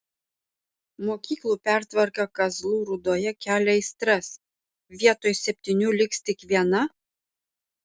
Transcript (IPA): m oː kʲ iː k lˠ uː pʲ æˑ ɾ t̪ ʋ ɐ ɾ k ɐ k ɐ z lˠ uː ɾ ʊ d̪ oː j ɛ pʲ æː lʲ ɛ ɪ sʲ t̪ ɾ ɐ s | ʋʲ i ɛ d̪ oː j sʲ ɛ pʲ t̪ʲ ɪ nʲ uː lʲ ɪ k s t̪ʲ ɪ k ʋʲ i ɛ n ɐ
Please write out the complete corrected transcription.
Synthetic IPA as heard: m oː kʲ iː k lˠ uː pʲ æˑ ɾ t̪ ʋ ɐ ɾ k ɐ k ɐ z lˠ uː ɾ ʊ d̪ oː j ɛ kʲ æː lʲ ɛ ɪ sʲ t̪ ɾ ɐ s | ʋʲ i ɛ t̪ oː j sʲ ɛ pʲ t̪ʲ ɪ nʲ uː lʲ ɪ k s t̪ʲ ɪ k ʋʲ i ɛ n ɐ